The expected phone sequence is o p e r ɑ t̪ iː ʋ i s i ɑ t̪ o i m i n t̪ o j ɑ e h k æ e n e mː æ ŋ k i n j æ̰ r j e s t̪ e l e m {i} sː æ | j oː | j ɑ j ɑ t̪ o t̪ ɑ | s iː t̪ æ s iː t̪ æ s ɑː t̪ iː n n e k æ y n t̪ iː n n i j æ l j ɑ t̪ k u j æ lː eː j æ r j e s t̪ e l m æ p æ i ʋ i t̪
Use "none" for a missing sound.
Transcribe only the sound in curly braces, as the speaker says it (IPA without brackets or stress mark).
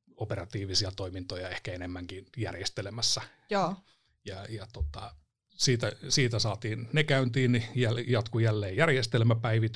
æ